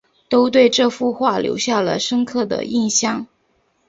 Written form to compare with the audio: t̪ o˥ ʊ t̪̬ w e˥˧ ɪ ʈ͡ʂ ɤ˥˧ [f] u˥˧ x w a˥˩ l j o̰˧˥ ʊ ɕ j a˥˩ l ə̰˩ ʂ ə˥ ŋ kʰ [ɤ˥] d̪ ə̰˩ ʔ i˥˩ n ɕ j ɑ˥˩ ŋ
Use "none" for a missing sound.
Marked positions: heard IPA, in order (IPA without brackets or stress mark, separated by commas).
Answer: f, ɤ˥˩